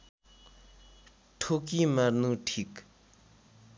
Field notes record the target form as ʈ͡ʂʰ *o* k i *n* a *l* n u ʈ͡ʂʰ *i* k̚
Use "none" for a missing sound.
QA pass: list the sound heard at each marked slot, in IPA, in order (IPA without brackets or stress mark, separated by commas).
o, m, r, i